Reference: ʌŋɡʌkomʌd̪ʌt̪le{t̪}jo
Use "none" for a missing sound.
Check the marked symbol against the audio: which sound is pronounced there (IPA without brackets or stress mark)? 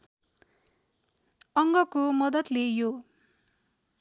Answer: none